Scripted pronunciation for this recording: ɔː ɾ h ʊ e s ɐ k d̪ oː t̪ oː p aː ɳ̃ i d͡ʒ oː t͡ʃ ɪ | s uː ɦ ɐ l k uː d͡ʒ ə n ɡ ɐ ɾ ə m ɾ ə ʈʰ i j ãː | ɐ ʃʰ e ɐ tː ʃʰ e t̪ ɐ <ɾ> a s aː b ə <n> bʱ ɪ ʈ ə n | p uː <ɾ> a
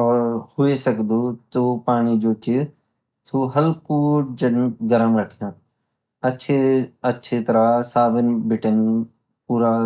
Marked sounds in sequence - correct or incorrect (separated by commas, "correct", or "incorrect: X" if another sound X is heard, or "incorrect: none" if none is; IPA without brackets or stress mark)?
correct, correct, correct